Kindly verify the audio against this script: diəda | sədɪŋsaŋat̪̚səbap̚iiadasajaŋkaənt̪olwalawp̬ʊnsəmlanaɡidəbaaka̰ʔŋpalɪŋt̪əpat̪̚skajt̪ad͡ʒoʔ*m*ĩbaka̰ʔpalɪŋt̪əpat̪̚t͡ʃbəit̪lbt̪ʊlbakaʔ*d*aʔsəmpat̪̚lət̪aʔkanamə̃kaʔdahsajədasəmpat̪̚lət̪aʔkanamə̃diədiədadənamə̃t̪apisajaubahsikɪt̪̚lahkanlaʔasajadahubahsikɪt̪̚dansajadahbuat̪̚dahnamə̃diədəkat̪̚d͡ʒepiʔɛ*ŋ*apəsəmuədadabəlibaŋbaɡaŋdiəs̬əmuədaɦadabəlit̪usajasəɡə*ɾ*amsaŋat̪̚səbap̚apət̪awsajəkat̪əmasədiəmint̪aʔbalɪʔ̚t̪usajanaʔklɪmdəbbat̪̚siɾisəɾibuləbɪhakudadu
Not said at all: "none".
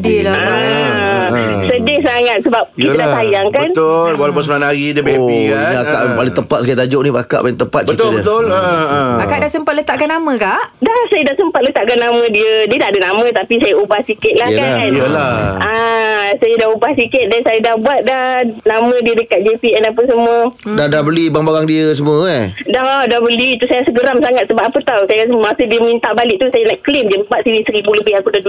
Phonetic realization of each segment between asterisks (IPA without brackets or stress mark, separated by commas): n, d, n, ɾ